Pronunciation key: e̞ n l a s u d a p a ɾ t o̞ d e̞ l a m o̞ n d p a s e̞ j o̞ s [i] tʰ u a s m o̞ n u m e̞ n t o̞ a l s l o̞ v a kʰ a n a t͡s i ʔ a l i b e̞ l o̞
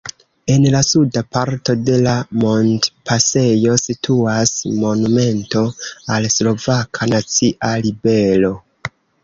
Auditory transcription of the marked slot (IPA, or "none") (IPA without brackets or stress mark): i